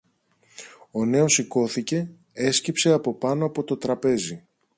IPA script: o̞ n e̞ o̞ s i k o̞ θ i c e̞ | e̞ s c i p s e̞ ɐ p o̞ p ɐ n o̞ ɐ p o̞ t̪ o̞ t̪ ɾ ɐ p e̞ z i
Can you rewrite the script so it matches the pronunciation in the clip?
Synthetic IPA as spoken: o̞ n e̞ o̞ s i k o̞ θ i c e̞ | e̞ s c i p s e̞ ɐ p o̞ p ɐ n o̞ ɐ p o̞ t̪ o̞ t̪ ɾ ɐ p e̞ z i

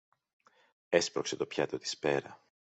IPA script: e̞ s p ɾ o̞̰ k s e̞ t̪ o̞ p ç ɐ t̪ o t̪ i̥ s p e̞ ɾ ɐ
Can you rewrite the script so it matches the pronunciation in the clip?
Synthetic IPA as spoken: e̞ s p ɾ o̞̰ k s e̞ t̪ o̞ p ç ɐ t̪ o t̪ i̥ s p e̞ ɾ ɐ

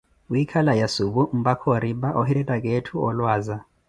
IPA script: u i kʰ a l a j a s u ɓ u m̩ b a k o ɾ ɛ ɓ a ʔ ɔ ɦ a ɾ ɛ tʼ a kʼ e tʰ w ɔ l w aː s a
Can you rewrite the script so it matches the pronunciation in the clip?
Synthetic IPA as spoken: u i kʰ a l a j a s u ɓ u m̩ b a kʰ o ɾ i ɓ a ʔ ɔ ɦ i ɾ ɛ tʼ a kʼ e tʰ u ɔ l w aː z a

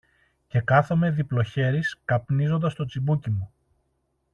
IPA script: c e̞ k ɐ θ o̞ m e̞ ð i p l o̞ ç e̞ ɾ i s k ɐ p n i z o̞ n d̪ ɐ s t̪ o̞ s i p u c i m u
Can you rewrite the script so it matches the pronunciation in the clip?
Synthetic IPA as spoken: c e̞ k ɐ θ o̞ m e̞ ð i p l o̞ ç e̞ ɾ i s k ɐ p n i z o̞ n d̪ ɐ s t̪ o̞ t͡s i b u c i m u

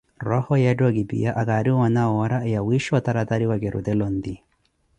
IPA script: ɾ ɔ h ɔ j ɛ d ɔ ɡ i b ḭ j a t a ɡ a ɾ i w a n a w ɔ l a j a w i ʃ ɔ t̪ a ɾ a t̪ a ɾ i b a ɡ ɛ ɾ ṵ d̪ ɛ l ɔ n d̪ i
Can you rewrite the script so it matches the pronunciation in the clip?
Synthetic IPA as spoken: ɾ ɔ h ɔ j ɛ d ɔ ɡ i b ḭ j a ʔ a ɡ a ɾ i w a n a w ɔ ɾ a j a w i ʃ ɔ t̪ a ɾ a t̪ a ɾ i w a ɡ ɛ ɾ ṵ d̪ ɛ l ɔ n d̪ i

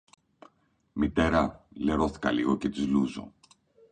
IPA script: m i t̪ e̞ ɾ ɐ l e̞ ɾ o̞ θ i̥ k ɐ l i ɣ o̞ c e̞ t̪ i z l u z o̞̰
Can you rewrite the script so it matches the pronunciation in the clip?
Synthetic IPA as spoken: m i t̪ e̞ ɾ ɐ l e̞ ɾ o̞ θ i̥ k ɐ l i ɣ o̞ c e̞ t̪ i z l u z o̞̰

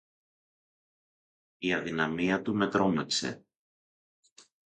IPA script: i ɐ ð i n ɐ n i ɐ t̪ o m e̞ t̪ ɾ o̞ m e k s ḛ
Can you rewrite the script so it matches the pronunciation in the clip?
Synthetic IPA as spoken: i ɐ ð i n ɐ m i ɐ t̪ u m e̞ t̪ ɾ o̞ m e k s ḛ

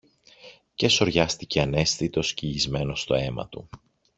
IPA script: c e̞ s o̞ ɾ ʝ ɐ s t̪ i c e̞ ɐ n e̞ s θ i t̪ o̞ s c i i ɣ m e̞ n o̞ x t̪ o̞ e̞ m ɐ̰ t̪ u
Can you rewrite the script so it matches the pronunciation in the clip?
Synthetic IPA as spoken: c e̞ s o̞ ɾ ʝ ɐ s t̪ i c e̞ ɐ n e̞ s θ i t̪ o̞ s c i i z m e̞ n o̞ s t̪ o̞ e̞ m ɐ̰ t̪ u

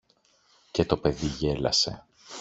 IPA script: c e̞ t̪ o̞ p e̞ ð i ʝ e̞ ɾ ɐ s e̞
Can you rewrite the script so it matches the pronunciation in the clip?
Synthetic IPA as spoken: c e̞ t̪ o̞ p e̞ ð i ʝ e̞ l ɐ s e̞

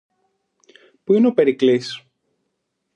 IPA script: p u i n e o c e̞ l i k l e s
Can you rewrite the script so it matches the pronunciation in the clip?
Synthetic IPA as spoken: p u i n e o p e̞ ɾ i k l i s

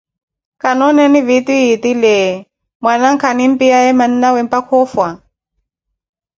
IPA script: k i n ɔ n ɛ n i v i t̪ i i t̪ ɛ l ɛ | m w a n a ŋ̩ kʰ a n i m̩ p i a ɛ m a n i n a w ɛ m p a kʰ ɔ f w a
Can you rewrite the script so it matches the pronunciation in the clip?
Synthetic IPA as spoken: k a n ɔ n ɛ n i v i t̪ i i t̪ i l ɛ | m w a n a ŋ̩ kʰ a n i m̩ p i a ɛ m a n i n a w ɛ m p a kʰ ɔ f w a

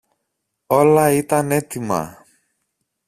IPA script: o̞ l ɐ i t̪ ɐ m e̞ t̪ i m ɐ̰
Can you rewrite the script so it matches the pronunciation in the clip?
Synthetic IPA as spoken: o̞ l ɐ i t̪ ɐ n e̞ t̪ i m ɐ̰

